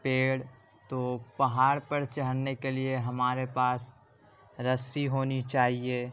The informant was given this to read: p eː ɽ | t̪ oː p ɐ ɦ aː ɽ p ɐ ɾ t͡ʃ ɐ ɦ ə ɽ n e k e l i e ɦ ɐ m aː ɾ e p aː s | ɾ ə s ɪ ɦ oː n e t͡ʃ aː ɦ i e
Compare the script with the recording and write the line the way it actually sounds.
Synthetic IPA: p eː ɽ | t̪ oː p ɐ ɦ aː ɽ p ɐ ɾ t͡ʃ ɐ ɦ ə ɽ n e k e l i e ɦ ɐ m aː ɾ e p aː s | ɾ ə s i ɦ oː n i t͡ʃ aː ɦ i e